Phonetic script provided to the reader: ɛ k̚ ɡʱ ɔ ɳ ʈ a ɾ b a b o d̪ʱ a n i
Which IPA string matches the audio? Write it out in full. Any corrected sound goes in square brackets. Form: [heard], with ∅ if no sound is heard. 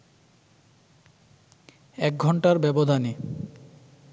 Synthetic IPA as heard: ɛ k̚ ɡʱ ɔ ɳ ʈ a ɾ b [ɛ] b o d̪ʱ a n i